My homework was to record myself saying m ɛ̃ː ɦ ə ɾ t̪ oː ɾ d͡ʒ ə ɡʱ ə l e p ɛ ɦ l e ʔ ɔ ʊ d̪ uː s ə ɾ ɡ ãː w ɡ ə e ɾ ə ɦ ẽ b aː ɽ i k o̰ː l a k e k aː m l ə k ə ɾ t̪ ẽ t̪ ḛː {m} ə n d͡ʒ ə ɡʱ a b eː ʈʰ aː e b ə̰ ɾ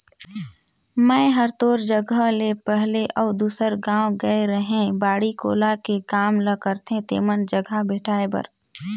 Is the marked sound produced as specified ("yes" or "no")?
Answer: yes